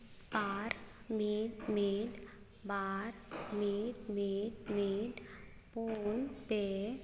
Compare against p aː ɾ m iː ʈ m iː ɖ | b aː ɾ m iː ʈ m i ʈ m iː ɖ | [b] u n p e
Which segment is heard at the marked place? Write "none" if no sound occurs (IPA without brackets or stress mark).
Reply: p